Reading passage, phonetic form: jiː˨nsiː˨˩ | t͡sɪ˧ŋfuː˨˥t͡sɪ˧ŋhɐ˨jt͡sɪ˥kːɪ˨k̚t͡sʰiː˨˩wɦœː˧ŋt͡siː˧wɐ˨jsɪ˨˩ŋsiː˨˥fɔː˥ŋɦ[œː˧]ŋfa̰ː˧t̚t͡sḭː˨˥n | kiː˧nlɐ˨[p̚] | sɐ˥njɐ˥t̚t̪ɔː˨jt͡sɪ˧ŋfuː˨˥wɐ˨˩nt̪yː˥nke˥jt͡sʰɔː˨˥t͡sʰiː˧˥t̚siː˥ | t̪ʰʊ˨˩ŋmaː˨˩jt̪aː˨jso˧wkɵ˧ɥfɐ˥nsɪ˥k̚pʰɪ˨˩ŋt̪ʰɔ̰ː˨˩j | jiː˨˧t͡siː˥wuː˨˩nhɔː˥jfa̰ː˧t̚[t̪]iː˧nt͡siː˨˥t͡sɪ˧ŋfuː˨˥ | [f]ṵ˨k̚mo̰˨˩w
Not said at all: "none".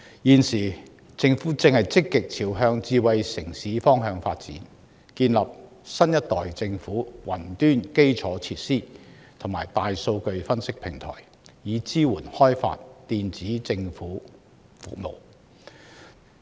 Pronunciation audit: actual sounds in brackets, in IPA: œː˧, p̚, t̪, f

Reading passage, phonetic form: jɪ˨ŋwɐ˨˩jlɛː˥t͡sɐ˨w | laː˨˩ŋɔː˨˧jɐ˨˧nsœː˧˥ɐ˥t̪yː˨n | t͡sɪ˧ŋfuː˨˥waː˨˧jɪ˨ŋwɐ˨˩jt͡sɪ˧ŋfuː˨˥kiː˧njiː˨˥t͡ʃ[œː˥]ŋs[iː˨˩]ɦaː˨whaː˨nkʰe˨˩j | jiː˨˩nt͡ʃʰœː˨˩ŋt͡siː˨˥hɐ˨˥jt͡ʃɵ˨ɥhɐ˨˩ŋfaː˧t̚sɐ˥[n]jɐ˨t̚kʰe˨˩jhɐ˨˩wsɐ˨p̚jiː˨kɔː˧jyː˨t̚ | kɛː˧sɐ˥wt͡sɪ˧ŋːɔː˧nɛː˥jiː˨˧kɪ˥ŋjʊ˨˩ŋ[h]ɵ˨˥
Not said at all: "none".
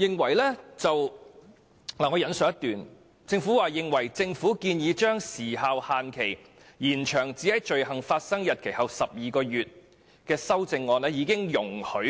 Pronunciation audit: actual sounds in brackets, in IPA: œː˥, iː˨˩, ŋ, h

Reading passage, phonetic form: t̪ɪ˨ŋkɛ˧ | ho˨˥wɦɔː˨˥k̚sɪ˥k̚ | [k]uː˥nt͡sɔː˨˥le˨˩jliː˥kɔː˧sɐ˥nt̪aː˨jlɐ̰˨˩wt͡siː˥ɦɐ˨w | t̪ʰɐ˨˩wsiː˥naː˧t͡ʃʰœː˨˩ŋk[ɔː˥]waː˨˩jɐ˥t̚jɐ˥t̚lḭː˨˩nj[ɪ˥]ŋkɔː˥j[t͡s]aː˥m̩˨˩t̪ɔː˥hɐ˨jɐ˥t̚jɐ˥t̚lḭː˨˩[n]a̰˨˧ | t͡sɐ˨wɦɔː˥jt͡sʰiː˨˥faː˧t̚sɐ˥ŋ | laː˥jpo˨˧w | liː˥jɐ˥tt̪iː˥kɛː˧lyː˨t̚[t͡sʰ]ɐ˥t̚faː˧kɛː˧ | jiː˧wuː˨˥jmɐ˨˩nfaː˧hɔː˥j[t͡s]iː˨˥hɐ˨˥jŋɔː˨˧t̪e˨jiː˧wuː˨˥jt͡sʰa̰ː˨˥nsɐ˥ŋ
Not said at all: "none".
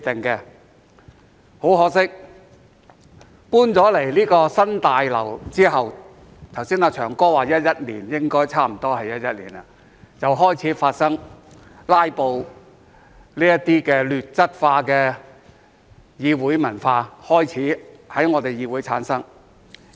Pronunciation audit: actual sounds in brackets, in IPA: p, ɔː˥, ɪ˥, t͡sʰ, n, t͡s, t͡sʰ

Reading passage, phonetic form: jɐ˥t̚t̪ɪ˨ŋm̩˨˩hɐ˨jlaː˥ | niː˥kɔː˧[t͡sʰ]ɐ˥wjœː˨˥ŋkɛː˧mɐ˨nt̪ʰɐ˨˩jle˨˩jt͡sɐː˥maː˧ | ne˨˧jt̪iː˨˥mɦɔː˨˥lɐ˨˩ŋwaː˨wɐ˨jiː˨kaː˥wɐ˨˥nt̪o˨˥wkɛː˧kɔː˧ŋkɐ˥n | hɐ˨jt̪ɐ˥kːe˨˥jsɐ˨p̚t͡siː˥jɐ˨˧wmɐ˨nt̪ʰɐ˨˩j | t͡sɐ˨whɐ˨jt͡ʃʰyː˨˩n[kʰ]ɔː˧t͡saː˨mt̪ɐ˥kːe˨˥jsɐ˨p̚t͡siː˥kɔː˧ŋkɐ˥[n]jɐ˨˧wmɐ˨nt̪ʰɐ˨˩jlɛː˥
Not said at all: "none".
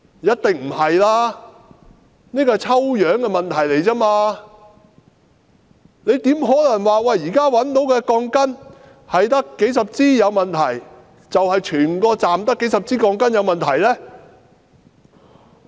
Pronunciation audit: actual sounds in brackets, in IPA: t͡sʰ, k, n

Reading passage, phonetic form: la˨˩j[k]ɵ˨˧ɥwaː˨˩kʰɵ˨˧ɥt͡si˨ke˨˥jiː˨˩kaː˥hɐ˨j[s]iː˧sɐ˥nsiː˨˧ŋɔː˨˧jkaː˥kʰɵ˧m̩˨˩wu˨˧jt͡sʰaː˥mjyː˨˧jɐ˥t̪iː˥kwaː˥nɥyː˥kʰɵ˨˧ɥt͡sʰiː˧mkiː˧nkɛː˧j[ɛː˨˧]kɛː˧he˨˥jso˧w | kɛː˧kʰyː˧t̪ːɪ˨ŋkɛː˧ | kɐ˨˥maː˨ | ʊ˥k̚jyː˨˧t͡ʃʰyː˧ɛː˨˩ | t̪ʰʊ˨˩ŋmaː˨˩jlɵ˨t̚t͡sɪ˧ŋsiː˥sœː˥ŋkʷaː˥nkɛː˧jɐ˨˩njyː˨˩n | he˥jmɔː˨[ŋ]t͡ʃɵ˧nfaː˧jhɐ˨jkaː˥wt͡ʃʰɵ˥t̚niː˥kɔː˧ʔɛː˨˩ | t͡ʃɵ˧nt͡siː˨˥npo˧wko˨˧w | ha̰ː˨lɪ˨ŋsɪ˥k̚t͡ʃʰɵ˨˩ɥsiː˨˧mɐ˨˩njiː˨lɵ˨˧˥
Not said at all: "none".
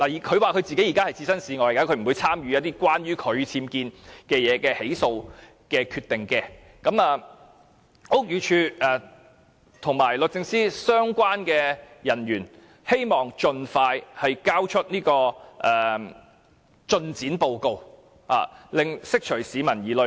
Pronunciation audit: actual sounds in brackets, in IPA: kʰ, t͡s, ɛː˨˧, ŋ

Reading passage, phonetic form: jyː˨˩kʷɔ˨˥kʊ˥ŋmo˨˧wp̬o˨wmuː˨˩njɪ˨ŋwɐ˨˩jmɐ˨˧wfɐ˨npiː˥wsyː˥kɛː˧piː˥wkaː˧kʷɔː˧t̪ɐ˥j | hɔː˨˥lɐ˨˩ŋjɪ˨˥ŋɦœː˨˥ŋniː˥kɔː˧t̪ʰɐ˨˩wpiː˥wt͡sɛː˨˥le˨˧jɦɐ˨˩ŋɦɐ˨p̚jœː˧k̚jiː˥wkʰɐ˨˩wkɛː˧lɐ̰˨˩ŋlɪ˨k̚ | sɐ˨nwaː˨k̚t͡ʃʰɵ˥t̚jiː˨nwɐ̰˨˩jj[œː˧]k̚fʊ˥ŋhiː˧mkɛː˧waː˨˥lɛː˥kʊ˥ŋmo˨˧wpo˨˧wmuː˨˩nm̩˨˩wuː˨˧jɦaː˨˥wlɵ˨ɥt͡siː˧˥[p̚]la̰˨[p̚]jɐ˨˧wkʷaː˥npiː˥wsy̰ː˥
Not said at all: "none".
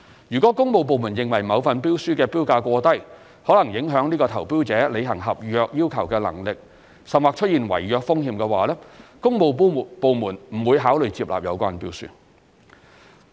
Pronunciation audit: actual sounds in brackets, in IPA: œː˧, p̚, p̚

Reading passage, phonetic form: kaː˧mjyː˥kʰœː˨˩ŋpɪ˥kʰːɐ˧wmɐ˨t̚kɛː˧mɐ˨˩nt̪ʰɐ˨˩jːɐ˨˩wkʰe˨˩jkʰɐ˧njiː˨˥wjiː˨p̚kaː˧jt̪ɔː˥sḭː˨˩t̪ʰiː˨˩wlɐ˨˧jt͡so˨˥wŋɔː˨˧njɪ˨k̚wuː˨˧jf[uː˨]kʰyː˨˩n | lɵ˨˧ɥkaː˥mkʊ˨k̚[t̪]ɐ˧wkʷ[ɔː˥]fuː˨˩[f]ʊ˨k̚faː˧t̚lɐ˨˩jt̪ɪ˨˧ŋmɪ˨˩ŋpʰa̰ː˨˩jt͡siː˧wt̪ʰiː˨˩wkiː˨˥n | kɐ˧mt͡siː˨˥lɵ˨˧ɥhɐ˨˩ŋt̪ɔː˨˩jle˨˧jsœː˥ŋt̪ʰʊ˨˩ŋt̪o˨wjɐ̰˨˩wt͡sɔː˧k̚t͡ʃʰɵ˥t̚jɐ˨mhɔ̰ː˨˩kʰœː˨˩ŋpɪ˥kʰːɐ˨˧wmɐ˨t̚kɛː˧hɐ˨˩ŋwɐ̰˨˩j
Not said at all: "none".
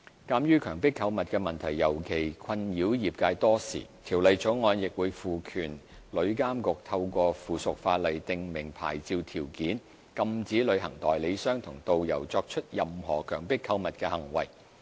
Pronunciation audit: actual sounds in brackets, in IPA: uː˨, t̪ʰ, ɔː˧, s

